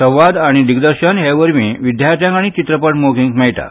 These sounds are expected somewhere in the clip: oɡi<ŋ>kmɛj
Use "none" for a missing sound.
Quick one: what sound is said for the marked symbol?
ŋ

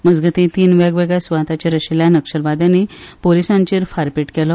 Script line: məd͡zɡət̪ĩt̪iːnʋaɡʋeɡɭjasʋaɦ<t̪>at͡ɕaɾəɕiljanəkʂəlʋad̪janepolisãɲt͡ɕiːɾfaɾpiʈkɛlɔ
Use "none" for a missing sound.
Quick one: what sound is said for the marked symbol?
t̪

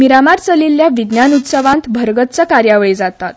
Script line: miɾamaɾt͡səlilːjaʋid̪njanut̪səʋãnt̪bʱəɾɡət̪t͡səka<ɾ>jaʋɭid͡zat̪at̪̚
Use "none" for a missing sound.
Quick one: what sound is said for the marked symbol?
ɾ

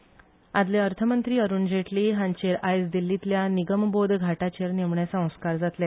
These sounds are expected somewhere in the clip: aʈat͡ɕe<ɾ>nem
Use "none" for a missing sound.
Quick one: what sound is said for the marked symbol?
ɾ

